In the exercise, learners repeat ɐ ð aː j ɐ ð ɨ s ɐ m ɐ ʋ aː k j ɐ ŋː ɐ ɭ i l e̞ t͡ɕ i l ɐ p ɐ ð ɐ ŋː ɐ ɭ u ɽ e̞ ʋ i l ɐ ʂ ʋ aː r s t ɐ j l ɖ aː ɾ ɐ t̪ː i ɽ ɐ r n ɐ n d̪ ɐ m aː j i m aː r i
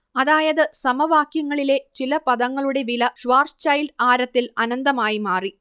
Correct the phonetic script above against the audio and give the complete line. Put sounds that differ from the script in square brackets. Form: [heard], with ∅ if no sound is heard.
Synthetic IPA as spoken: ɐ ð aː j ɐ ð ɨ s ɐ m ɐ ʋ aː k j ɐ ŋː ɐ ɭ i l e̞ t͡ɕ i l ɐ p ɐ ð ɐ ŋː ɐ ɭ u ɽ e̞ ʋ i l ɐ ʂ ʋ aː r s [t͡ɕ] ɐ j l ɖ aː ɾ ɐ t̪ː i [l] ɐ [∅] n ɐ n d̪ ɐ m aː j i m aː r i